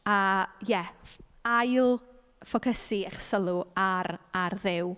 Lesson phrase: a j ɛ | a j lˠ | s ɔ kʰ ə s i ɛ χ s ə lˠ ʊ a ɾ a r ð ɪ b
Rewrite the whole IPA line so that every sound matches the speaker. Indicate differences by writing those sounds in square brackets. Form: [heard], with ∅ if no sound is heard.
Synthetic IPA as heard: a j ɛ | a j lˠ | [f] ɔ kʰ ə s i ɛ χ s ə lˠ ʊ a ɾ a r ð ɪ [w]